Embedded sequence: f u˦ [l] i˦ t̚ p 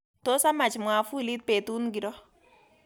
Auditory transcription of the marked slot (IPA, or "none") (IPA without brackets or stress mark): l